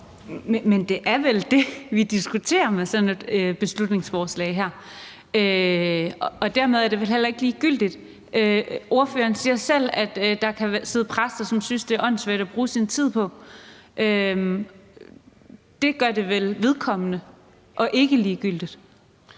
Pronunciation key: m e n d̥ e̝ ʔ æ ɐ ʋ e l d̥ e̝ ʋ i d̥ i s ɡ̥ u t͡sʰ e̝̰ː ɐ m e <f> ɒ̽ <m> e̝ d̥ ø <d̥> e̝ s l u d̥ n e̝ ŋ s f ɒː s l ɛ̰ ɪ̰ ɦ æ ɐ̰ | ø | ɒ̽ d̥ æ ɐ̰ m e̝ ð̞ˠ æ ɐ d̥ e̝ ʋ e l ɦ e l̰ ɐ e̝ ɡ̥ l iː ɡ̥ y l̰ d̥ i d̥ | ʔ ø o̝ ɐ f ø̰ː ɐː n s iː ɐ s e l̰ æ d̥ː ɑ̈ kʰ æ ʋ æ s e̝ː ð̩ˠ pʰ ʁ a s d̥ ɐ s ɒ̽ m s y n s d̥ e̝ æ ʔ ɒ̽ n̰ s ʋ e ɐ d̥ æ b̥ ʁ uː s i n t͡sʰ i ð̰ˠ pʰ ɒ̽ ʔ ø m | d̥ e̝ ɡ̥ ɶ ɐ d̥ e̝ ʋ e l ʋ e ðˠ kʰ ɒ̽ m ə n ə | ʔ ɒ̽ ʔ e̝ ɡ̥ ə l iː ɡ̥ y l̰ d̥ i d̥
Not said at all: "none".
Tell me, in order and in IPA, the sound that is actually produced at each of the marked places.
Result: s, n, b̥

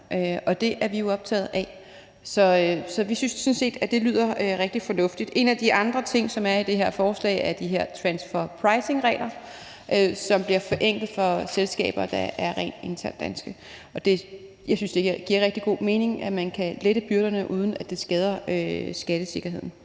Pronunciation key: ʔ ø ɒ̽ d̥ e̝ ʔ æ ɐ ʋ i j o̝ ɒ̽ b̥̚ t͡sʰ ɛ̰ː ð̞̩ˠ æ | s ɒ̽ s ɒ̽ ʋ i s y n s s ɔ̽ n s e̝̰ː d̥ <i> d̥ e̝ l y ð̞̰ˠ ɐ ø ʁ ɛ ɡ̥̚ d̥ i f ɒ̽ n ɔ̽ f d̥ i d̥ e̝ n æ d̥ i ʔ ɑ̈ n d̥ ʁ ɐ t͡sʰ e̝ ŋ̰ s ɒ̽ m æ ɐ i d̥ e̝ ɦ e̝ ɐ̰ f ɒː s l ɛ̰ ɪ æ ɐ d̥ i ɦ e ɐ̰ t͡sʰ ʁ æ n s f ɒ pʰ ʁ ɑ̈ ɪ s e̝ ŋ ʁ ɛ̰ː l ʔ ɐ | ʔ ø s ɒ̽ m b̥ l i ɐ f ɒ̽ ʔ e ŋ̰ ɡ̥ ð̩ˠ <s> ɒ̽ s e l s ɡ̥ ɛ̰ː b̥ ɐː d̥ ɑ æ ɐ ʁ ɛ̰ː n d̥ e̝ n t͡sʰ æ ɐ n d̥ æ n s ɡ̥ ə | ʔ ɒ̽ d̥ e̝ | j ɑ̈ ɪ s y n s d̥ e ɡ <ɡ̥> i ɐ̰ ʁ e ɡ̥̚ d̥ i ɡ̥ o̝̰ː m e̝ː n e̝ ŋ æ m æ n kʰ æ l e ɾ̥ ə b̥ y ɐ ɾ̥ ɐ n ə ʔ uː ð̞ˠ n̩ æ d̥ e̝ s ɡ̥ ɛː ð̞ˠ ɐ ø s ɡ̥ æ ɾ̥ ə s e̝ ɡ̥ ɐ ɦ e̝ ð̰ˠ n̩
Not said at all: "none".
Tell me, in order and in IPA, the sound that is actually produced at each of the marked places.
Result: æ, f, ɡ̥

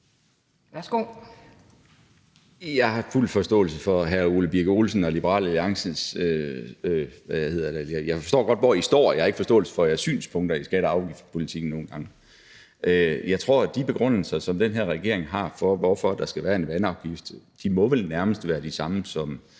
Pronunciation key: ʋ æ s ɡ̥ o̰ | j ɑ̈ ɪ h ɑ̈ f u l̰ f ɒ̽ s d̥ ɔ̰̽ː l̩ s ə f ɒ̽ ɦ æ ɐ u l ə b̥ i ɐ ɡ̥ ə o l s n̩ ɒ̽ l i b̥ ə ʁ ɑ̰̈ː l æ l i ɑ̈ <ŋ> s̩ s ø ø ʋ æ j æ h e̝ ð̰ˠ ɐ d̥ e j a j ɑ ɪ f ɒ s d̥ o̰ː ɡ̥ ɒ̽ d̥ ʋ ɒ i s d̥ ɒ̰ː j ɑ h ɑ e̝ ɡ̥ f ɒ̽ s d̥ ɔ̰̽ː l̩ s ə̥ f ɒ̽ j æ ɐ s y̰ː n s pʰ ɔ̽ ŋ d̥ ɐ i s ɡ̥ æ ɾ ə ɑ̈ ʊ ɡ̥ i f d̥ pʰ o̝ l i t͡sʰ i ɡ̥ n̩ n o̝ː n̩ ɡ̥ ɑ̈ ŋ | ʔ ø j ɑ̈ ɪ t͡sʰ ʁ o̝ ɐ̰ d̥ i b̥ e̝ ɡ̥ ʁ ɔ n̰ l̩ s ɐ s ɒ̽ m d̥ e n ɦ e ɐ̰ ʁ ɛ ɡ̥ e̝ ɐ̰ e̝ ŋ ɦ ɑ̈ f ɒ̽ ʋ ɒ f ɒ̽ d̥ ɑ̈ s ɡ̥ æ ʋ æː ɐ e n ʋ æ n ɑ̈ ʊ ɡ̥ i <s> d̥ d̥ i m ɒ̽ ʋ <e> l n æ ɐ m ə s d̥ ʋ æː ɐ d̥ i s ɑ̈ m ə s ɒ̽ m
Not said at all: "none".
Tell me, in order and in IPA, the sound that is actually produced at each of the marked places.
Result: ŋ, f, e

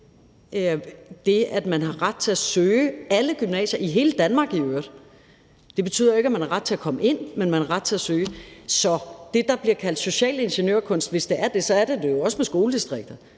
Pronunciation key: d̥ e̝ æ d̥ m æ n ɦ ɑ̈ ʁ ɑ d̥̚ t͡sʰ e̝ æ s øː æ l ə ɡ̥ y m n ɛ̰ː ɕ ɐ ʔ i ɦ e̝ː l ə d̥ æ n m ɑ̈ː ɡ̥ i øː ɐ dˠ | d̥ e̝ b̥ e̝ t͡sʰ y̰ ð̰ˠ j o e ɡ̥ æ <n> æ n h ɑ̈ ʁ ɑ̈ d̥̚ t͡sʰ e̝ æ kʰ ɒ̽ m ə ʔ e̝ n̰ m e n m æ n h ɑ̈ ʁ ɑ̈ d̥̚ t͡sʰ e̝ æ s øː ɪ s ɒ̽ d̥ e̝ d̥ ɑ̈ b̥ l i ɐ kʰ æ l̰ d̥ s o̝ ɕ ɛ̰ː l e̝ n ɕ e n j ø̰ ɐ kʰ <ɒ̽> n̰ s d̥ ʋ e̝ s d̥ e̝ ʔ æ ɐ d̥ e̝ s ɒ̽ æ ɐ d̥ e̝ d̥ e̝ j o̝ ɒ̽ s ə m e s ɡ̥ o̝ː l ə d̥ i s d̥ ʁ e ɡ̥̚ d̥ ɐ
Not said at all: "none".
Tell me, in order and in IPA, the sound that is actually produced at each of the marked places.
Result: m, ɔ̽

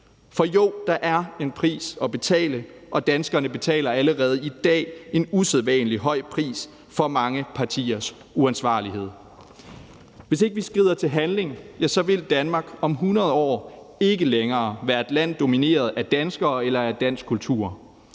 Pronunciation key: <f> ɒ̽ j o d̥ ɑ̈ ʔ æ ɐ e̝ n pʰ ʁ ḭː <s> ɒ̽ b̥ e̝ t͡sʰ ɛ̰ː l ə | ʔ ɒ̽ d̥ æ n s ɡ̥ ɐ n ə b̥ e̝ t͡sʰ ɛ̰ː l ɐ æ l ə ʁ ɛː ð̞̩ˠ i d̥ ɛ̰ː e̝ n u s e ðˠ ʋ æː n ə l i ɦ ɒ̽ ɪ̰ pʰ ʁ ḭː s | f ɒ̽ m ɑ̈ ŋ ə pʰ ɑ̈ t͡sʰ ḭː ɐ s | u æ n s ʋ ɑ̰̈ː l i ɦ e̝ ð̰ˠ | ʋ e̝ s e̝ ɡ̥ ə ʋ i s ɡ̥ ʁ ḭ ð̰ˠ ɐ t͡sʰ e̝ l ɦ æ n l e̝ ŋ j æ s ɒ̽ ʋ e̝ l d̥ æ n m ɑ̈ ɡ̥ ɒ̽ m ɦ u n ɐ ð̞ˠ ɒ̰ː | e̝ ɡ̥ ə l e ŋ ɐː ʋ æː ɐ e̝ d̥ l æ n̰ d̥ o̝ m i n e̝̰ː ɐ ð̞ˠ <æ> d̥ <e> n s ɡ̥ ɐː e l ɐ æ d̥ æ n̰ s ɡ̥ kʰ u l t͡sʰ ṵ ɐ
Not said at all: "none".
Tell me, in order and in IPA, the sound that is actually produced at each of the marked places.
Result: f, s, æ, æ

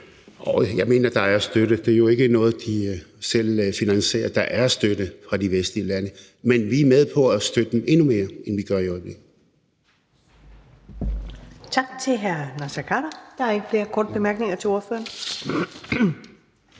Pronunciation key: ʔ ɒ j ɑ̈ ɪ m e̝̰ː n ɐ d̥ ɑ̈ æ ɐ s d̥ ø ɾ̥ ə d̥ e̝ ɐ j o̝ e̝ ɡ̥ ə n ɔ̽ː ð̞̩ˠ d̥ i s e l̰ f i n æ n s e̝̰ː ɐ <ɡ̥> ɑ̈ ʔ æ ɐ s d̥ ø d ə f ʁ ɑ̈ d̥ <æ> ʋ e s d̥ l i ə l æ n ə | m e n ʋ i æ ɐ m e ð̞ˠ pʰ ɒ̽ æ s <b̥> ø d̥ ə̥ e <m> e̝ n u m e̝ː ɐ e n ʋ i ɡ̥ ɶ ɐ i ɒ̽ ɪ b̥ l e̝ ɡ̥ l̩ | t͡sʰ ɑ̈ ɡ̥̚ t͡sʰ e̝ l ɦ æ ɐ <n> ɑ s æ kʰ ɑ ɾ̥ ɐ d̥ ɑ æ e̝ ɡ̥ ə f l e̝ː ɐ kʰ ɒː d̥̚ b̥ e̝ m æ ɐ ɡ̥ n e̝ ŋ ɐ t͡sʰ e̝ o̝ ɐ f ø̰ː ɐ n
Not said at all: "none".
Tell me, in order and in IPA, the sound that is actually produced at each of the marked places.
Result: d̥, i, d̥, m, n

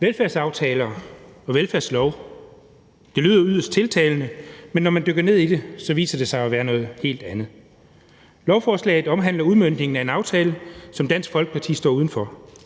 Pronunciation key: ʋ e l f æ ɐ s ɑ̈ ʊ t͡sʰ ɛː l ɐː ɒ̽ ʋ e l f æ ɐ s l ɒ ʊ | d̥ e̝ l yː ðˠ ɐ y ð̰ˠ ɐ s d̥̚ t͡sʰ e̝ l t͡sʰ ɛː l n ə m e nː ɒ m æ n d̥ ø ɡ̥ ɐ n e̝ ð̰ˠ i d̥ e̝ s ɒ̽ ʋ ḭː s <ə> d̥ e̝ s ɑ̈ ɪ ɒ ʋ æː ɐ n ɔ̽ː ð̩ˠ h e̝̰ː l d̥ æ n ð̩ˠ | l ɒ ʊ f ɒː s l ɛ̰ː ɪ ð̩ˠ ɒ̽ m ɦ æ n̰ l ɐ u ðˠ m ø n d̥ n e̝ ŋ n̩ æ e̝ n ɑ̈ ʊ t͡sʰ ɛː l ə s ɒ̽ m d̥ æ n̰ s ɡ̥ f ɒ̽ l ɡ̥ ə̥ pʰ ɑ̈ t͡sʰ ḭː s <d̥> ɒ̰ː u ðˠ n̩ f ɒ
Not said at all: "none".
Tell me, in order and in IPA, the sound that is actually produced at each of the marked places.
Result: ɐ, d̥

